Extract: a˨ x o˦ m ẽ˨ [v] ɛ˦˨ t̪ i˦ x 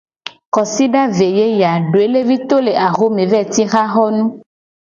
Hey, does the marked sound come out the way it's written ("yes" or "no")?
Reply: yes